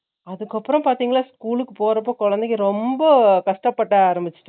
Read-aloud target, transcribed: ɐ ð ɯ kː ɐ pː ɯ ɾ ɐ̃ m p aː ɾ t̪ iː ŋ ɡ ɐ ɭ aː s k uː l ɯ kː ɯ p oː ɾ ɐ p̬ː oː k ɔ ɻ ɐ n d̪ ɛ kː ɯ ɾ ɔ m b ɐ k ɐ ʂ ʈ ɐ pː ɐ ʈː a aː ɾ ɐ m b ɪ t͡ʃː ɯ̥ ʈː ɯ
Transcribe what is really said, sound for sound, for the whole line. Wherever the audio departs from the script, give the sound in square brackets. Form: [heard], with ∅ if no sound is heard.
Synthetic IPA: ɐ ð ɯ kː ɐ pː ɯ ɾ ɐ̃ m p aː ɾ t̪ iː ŋ ɡ ɐ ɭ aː s k uː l ɯ kː ɯ p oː ɾ ɐ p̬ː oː k ɔ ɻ ɐ n d̪ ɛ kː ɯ ɾ ɔ m b ɐ k ɐ ʂ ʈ ɐ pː ɐ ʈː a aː ɾ ɐ m b ɪ t͡ʃː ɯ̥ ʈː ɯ